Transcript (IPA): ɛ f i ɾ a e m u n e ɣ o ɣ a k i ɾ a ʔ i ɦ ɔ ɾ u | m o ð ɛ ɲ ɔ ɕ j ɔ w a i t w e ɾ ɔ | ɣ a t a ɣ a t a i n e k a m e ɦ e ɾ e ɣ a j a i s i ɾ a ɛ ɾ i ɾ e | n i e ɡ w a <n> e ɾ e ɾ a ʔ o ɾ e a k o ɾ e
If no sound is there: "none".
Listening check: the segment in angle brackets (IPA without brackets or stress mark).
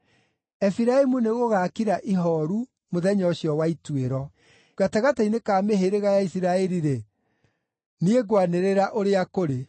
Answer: n